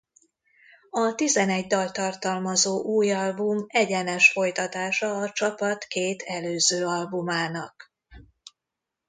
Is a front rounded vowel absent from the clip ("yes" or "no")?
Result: no